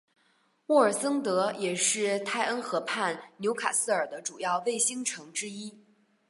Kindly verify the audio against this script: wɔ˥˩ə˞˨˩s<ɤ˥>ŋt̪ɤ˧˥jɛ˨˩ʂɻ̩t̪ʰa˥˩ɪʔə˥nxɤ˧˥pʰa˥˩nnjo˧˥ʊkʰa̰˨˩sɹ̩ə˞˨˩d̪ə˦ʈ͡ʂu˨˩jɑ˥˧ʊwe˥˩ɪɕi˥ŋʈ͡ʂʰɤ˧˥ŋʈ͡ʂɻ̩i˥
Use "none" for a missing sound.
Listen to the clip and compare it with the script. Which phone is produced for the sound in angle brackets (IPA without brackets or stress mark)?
ɤ˥